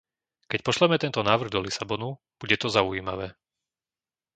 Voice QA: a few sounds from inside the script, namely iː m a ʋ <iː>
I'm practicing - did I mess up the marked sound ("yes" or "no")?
yes